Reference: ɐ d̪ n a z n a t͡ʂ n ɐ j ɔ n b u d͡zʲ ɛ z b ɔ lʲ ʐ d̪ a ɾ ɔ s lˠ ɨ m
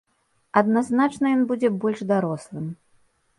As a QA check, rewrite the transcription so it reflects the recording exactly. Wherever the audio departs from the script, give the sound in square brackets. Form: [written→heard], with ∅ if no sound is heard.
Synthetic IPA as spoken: ɐ d̪ n a z n a t͡ʂ n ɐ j ɔ n b u d͡zʲ ɛ [z→∅] b ɔ lʲ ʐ d̪ a ɾ ɔ s lˠ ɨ m